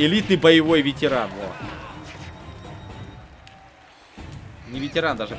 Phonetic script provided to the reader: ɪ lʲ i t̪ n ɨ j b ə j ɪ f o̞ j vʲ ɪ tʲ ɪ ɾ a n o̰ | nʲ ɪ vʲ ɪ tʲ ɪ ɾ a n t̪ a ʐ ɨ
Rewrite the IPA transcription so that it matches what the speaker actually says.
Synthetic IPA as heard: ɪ lʲ i t̪ n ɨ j b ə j ɪ v o̞ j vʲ ɪ tʲ ɪ ɾ a n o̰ | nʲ ɪ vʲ ɪ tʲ ɪ ɾ a n d̪ a ʐ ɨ